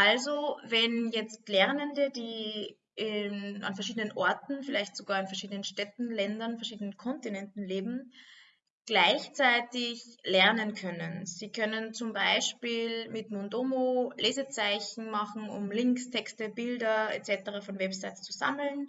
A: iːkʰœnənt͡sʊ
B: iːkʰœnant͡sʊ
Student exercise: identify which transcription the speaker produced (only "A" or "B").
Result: A